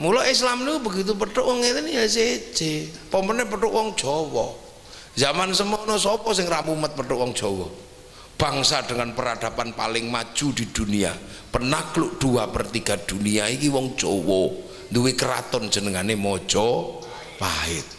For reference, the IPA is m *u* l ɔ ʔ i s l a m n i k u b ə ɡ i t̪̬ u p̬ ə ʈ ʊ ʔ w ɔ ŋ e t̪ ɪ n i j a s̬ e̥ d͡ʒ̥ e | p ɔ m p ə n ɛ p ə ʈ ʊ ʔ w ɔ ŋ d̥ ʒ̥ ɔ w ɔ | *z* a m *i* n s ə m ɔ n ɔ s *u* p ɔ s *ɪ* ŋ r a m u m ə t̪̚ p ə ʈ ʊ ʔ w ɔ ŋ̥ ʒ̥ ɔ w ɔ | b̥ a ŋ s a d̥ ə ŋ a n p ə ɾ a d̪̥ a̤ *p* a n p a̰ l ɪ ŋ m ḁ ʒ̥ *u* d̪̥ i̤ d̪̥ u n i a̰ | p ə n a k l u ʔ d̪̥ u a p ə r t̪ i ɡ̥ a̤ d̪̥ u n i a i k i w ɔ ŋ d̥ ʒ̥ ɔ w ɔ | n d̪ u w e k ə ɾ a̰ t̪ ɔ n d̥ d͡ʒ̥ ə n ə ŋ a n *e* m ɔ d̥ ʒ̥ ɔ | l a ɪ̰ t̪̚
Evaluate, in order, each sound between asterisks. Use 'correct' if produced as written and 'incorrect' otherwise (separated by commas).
correct, correct, incorrect, incorrect, correct, correct, correct, correct